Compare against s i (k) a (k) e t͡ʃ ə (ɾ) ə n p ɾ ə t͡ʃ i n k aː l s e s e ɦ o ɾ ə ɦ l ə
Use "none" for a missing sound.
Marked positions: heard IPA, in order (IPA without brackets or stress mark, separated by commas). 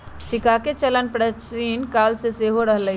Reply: k, k, l